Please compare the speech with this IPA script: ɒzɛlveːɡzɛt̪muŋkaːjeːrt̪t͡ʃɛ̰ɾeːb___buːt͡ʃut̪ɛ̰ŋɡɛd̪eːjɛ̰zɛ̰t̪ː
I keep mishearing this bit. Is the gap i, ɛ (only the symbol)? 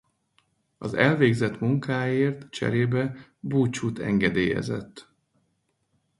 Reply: ɛ